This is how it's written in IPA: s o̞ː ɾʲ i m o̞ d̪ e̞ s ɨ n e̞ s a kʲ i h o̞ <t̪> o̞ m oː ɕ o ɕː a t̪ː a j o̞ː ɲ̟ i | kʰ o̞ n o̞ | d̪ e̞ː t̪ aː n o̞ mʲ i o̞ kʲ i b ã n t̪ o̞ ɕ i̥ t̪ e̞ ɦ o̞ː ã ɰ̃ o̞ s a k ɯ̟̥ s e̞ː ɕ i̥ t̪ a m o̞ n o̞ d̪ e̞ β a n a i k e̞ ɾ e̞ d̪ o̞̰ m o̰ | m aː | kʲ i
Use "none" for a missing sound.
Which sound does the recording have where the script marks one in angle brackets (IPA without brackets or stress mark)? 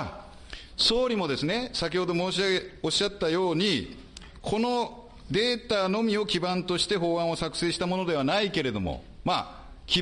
d̪